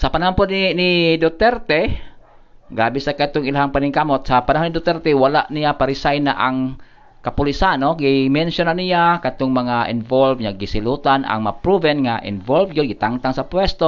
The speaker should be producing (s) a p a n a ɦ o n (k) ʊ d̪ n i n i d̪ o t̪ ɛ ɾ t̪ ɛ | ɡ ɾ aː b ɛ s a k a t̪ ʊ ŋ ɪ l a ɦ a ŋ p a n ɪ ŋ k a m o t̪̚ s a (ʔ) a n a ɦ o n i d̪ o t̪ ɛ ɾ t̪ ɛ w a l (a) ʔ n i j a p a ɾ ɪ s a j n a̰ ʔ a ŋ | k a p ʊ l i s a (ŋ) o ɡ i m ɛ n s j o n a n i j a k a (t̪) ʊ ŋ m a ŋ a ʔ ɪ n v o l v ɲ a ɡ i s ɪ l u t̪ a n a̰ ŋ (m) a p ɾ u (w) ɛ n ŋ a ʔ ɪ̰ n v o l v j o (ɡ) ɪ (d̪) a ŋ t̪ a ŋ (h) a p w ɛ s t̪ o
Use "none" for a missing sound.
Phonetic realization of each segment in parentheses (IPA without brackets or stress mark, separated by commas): s, p, p, a, n, t̪, m, v, ɡ, t̪, s